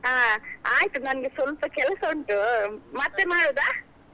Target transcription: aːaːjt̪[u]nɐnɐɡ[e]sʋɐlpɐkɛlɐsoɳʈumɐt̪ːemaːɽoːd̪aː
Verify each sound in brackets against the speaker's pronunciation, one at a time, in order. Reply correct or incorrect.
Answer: correct, correct

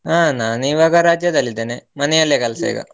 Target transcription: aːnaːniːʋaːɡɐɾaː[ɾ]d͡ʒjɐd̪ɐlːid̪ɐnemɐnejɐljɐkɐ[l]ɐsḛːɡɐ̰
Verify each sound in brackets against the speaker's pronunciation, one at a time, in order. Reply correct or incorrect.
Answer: incorrect, correct

